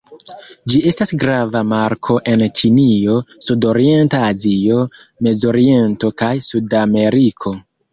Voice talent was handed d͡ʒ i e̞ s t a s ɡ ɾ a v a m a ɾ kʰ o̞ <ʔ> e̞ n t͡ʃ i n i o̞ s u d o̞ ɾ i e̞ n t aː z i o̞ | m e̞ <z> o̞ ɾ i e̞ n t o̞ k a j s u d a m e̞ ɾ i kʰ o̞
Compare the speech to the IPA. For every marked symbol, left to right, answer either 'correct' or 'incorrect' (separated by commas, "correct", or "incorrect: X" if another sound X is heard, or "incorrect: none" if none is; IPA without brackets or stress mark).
correct, correct